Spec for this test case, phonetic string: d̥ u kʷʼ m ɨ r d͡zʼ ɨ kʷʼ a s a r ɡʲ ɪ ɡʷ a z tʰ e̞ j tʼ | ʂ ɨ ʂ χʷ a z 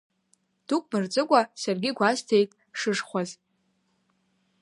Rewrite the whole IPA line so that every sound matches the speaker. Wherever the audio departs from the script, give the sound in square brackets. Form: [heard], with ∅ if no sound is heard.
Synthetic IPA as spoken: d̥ u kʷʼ m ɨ r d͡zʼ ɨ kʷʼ a s a r ɡʲ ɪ ɡʷ a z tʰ e̞ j tʼ | ʂ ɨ ʂ χʷ a z